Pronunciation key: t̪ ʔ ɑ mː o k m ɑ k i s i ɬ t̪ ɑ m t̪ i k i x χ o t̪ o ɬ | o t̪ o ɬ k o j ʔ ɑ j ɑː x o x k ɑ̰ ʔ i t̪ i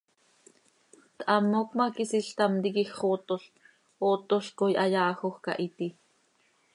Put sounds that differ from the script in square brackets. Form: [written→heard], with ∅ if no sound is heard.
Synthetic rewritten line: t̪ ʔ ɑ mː o k m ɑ k i s i ɬ t̪ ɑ m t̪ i k i x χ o t̪ o ɬ | o t̪ o ɬ k o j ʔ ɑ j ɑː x o x k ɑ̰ ʔ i t̪ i

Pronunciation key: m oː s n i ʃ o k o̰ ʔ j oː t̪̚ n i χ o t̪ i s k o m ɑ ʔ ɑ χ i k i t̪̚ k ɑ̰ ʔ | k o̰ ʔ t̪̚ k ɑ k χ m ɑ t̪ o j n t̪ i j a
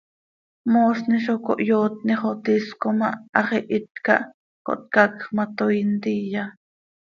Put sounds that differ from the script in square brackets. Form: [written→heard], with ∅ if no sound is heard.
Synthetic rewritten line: m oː s n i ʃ o k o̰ ʔ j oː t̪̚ n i χ o t̪ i s k o m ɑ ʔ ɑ χ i [k→ʔ] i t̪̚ k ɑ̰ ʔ | k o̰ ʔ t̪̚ k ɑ k χ m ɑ t̪ o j n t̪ i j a

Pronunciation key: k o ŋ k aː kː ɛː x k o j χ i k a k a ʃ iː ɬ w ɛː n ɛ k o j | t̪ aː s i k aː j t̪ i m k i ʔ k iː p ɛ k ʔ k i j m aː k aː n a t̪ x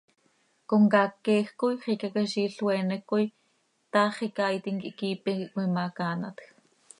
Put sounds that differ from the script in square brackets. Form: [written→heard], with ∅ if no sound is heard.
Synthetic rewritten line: k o ŋ k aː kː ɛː x k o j χ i k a k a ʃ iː ɬ w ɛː n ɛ k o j | t̪ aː [s→χ] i k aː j t̪ i [m→ŋ] k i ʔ k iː p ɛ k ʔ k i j m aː k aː n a t̪ x

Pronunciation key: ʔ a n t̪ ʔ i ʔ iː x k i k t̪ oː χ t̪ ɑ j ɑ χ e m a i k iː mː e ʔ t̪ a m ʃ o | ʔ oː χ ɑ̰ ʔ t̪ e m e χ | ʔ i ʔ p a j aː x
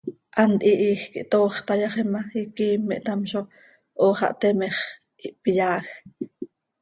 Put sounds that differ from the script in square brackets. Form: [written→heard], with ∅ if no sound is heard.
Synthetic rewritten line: ʔ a n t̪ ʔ i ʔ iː x k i [k→ʔ] t̪ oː χ t̪ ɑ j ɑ χ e m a i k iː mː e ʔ t̪ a m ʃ o | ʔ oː χ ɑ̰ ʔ t̪ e m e χ | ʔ i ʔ p [a→i] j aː x

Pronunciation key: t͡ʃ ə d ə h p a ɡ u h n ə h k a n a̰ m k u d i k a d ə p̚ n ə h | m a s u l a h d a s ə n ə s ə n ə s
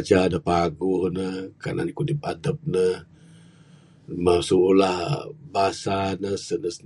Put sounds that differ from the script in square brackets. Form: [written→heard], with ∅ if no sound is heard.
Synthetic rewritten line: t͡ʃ [ə→a] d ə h p a ɡ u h n ə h k a n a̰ [m→n] k u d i [k→p] a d ə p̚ n ə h | m a s u l a h [d→b] a s [ə→a] n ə s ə n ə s

